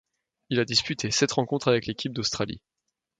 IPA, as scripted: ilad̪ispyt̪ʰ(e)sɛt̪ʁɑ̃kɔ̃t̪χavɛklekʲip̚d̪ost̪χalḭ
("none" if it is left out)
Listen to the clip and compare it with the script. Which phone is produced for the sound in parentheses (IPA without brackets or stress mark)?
e